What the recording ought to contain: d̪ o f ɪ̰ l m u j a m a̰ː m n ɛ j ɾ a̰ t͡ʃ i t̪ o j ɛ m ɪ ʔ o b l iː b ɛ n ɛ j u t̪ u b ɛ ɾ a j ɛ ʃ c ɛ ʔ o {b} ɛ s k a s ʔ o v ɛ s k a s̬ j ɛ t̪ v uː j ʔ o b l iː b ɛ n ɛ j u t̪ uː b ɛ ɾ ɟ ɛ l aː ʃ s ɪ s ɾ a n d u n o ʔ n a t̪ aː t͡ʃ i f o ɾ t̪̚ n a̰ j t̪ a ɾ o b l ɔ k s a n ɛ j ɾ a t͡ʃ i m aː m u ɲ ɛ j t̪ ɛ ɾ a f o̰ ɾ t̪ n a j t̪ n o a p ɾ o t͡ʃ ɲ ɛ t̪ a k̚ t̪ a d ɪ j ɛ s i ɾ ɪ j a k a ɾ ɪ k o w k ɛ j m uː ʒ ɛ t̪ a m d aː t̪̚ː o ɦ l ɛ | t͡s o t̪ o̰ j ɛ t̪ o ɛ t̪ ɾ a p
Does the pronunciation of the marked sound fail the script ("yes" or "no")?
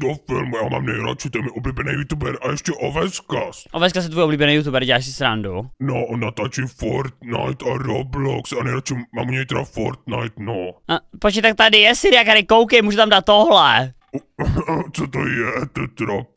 yes